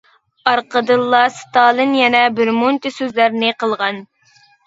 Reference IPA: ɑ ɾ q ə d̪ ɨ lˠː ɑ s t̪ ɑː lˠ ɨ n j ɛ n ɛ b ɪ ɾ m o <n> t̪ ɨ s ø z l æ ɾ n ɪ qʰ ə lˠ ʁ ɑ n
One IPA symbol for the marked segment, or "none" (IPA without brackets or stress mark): n